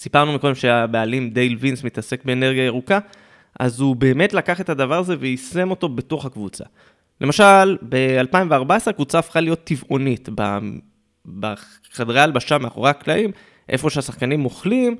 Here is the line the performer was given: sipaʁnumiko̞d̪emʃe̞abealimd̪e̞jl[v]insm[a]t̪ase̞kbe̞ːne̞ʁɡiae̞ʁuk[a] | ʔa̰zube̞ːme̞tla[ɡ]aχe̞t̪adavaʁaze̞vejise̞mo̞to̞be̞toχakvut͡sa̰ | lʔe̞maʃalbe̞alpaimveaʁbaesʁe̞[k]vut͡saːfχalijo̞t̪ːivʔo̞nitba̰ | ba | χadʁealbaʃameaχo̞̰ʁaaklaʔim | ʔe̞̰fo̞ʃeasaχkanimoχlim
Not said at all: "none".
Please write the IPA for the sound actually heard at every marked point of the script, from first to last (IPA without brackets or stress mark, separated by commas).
v, i, a, k, k